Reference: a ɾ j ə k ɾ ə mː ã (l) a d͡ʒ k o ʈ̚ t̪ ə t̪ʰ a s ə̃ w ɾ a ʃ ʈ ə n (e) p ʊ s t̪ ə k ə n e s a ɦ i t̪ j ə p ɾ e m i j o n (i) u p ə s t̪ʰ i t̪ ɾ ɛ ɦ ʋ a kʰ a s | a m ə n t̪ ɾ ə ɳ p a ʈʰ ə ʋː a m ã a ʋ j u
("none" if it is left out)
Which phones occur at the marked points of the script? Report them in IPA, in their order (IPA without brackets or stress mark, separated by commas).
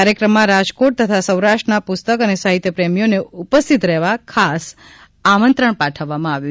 ɾ, a, e